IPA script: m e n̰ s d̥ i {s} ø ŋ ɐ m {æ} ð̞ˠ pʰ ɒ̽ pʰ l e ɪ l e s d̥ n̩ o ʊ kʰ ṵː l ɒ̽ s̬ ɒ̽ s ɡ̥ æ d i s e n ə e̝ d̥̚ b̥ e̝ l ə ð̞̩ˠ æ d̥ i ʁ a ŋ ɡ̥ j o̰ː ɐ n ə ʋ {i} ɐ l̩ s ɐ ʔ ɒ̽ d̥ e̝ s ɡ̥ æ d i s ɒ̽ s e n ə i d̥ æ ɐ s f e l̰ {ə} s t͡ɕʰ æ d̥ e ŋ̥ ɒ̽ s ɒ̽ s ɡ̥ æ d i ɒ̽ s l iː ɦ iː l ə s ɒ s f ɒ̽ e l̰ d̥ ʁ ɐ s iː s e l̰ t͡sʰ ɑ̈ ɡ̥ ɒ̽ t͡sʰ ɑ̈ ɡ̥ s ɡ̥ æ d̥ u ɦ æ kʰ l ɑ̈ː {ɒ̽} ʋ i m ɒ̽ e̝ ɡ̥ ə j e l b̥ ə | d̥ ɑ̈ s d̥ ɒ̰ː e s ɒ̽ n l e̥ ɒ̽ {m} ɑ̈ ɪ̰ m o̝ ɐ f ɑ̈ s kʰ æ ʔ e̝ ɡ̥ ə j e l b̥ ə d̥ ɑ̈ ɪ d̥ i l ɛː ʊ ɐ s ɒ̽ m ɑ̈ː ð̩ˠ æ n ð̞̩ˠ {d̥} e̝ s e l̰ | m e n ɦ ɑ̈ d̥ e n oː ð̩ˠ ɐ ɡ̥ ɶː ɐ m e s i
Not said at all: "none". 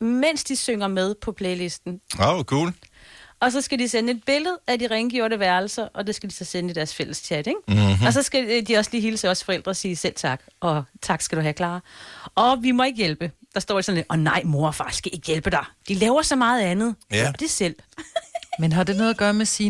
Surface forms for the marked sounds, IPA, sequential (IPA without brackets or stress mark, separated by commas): s, e, æ, ə, ɒ̽, n, d̥